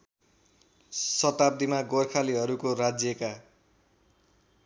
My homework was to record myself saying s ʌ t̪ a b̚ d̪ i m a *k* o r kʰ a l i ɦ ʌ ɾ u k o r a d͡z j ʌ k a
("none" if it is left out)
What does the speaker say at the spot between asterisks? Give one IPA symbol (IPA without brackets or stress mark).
ɡ